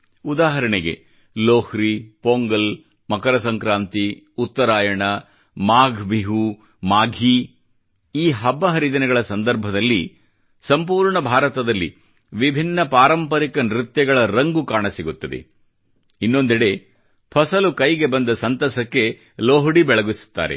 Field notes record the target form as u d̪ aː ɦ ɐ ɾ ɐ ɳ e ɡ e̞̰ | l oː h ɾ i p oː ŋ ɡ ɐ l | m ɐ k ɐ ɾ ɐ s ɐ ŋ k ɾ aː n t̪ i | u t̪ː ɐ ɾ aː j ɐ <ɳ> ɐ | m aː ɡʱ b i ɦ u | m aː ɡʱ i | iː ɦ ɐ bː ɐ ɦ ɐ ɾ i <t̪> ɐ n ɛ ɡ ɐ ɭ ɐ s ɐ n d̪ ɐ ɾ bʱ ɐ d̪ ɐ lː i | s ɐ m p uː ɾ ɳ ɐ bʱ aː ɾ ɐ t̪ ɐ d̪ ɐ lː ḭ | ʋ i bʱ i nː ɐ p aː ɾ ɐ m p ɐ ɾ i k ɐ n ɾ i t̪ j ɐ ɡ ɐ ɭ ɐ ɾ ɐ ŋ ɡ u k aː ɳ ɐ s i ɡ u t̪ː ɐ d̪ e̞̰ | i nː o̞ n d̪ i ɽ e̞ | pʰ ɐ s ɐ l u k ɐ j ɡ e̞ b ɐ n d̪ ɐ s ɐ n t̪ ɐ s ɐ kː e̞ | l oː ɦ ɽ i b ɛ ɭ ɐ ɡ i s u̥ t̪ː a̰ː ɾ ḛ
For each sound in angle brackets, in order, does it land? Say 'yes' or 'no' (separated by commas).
yes, no